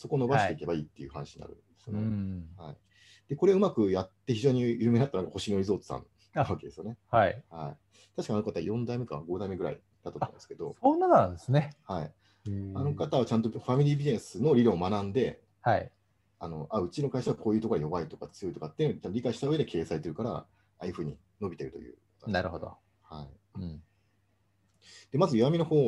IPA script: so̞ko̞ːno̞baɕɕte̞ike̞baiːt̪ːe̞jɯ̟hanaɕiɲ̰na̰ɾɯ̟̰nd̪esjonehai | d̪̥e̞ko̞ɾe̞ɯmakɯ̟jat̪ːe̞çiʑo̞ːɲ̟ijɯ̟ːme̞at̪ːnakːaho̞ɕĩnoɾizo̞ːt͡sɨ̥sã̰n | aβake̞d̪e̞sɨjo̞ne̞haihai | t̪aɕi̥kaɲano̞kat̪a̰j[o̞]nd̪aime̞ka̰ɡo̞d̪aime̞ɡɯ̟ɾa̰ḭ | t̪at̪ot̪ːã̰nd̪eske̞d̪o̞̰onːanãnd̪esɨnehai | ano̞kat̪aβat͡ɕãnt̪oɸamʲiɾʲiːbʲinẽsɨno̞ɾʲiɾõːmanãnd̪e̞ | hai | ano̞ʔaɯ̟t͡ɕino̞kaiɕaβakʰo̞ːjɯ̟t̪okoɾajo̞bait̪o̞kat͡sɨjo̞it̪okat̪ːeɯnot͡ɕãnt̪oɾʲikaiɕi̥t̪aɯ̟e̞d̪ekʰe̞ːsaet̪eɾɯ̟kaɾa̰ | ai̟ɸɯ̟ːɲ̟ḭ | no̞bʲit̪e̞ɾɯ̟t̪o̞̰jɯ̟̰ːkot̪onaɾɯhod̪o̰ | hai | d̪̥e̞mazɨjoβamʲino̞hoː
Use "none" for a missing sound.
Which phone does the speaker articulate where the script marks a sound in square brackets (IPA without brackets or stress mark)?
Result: õ̞